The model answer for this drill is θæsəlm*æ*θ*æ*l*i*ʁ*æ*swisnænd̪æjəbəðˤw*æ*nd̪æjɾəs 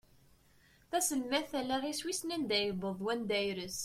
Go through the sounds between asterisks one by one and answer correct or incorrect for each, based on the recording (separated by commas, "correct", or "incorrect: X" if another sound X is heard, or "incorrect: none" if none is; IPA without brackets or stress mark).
correct, correct, incorrect: æ, incorrect: i, correct